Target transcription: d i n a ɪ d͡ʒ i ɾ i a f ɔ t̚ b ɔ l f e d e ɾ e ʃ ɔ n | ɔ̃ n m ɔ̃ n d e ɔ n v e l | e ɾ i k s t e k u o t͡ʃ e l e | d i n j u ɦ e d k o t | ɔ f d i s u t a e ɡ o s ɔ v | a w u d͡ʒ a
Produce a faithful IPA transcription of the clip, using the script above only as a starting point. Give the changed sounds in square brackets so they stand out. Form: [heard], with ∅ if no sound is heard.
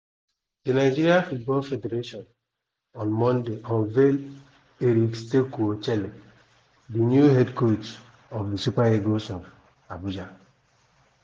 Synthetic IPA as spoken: d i n a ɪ d͡ʒ i ɾ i a f [u] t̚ b ɔ l f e d e ɾ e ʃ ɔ n | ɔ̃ n m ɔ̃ n d e ɔ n v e l | e ɾ i k s t e k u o t͡ʃ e l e | d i n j u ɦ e d k o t | ɔ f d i s u [p] a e ɡ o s ɔ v | a [b] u d͡ʒ a